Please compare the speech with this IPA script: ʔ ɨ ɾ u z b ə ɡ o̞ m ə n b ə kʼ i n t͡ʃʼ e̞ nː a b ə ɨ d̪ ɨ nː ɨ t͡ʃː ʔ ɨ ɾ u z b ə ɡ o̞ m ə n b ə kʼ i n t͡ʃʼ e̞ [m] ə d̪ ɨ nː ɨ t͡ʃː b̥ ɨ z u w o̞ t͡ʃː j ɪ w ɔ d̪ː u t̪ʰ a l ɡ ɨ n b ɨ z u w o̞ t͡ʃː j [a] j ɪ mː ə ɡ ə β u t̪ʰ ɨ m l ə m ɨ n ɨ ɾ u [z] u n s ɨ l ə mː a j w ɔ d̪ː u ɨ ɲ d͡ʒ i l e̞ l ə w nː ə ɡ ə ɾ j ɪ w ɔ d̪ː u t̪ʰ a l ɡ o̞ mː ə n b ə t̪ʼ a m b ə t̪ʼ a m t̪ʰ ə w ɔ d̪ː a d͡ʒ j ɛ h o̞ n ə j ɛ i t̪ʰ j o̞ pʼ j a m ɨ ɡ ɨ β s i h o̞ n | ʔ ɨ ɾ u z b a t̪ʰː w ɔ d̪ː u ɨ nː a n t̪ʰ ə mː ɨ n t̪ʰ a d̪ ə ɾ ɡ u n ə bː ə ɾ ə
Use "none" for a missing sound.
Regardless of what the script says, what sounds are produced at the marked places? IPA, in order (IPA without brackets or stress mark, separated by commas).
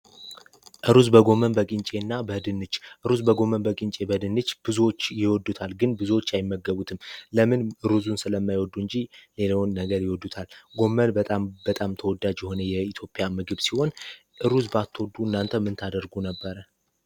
b, a, z